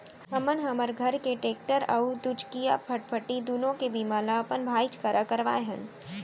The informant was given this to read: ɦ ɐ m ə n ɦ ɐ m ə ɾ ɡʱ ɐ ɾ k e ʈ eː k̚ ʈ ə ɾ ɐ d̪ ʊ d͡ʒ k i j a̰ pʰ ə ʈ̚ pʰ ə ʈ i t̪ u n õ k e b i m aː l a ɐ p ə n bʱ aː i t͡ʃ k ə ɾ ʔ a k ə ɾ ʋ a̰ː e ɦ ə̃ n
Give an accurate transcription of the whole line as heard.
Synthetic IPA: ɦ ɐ m ə n ɦ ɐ m ə ɾ ɡʱ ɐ ɾ k e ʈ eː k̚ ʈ ə ɾ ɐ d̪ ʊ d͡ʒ k i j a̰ pʰ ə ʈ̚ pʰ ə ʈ i d̪ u n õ k e b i m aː l a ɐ p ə n bʱ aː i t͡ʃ k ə ɾ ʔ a k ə ɾ ʋ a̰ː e ɦ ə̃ n